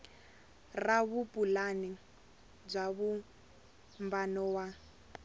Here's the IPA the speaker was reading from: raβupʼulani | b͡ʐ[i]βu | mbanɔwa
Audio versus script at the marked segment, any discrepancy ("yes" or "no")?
yes